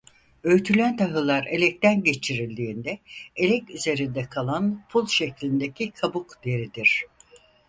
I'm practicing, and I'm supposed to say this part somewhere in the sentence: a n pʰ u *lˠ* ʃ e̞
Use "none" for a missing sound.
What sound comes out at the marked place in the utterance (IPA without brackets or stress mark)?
lˠ